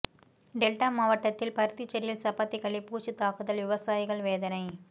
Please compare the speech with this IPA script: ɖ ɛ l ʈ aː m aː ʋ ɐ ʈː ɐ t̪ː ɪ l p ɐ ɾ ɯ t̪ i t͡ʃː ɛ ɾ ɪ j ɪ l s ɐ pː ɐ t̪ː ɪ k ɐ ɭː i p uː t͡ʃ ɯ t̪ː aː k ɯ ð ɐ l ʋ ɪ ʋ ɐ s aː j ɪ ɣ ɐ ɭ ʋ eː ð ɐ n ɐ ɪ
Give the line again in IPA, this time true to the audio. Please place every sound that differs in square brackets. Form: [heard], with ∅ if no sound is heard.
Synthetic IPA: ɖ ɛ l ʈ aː m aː ʋ ɐ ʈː ɐ t̪ː ɪ l p ɐ ɾ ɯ t̪ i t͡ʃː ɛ ɾ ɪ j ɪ l s ɐ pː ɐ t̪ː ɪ k ɐ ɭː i p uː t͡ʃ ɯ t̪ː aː k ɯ ð ɐ l ʋ ɪ ʋ ɐ s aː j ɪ ɣ ɐ ɭ ʋ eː ð ɐ n ɐ ɪ